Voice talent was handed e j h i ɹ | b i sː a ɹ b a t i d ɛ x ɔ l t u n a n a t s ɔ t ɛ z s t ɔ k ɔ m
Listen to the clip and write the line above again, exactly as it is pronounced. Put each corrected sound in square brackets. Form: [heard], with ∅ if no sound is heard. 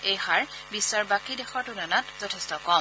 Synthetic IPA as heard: e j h [a] ɹ | b i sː a ɹ b a [k] i d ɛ x ɔ [ɹ] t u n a n a t [z] ɔ [tʰ] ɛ [∅] s t ɔ k ɔ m